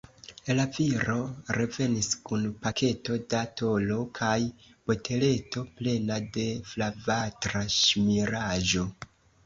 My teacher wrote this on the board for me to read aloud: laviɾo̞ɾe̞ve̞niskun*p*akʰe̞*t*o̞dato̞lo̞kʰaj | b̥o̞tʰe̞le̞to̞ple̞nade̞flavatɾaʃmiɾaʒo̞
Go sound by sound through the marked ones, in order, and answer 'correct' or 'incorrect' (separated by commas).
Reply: correct, correct